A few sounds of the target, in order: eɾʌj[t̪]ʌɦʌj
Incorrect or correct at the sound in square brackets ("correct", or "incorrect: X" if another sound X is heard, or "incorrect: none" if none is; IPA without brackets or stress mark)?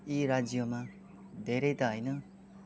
correct